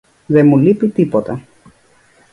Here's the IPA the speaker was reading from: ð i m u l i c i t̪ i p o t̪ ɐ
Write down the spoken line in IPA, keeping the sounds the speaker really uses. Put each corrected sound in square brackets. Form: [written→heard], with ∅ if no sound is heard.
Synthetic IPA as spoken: ð [i→e] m u l i [c→p] i t̪ i p o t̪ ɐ